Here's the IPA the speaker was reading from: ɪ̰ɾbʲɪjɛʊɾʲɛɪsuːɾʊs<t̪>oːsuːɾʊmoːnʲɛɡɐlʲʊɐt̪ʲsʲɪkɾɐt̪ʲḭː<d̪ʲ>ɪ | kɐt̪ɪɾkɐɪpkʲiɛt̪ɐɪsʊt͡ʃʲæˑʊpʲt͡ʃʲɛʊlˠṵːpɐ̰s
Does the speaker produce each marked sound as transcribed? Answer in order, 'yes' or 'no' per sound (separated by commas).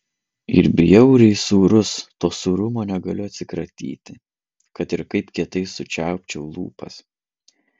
yes, no